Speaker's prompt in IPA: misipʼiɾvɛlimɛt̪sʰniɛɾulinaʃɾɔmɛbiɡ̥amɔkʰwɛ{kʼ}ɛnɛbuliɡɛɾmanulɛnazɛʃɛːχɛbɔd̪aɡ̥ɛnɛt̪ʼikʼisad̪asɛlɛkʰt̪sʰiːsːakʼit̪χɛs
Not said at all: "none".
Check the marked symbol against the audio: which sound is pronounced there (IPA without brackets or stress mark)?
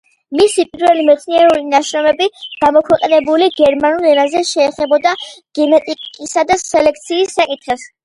qʼ